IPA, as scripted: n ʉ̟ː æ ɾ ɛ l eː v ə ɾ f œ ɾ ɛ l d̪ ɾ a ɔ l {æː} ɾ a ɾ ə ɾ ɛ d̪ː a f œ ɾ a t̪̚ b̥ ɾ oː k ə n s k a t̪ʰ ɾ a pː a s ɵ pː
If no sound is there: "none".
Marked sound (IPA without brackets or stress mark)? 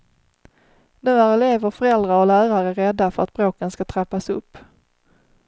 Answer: æː